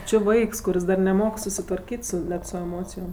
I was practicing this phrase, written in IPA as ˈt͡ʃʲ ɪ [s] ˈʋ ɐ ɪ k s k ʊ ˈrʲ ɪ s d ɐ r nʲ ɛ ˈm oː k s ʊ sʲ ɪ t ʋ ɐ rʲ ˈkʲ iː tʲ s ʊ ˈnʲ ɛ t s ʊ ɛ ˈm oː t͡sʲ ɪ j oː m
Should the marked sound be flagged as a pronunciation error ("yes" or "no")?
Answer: yes